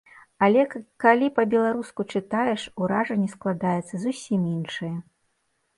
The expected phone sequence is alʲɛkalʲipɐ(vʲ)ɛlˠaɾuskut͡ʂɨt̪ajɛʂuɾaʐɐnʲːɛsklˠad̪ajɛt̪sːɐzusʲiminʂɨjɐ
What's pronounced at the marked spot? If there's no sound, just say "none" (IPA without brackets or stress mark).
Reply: bʲ